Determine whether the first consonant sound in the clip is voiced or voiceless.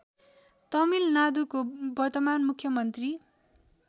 voiceless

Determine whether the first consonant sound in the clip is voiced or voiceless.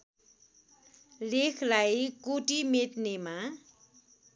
voiced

